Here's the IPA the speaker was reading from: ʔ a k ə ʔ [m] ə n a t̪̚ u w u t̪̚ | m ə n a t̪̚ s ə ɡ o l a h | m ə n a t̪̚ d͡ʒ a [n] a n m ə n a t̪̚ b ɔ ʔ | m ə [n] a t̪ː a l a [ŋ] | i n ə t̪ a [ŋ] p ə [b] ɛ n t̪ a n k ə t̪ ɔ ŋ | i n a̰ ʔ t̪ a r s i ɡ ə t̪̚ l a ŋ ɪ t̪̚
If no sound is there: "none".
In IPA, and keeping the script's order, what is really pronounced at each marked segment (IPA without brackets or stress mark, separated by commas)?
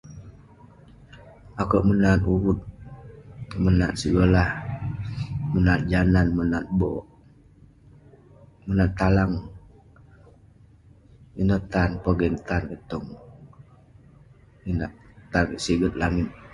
m, n, n, ŋ, n, ɡ